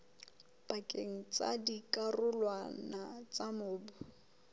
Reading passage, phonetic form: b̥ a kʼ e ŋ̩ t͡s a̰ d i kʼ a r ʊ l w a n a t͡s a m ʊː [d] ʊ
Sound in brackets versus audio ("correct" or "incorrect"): incorrect